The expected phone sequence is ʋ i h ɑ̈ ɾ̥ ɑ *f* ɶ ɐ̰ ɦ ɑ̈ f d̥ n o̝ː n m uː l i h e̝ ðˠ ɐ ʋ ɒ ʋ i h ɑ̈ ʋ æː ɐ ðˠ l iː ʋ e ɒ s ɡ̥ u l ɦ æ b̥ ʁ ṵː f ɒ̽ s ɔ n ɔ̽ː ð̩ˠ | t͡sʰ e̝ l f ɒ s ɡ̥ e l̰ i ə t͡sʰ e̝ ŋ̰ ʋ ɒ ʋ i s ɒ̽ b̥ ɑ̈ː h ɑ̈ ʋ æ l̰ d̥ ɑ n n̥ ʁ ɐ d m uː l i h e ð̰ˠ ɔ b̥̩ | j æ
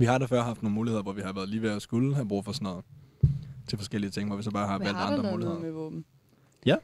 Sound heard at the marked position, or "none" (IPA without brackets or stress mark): f